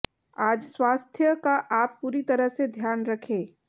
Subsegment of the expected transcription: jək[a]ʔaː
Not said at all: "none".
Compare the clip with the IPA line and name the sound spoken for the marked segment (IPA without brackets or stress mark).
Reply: a